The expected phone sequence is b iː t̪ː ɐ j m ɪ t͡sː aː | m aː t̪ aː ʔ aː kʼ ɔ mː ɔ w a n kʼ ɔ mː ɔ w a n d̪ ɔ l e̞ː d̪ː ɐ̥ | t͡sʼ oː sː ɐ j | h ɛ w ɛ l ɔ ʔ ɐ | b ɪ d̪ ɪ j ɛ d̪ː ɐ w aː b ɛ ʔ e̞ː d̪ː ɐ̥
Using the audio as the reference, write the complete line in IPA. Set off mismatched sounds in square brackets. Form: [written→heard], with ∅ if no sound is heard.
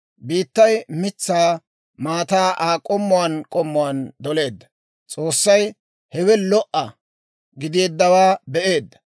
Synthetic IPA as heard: b iː t̪ː ɐ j m ɪ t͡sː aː | m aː t̪ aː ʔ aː kʼ ɔ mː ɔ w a n kʼ ɔ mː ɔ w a n d̪ ɔ l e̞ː d̪ː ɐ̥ | t͡sʼ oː sː ɐ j | h ɛ w ɛ l ɔ ʔ ɐ | [b→ɡ] ɪ d̪ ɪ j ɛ d̪ː ɐ w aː b ɛ ʔ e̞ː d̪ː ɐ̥